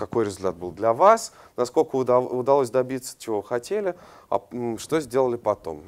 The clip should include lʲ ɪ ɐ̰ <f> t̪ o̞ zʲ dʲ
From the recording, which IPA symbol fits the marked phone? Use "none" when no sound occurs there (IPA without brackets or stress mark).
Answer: ʂ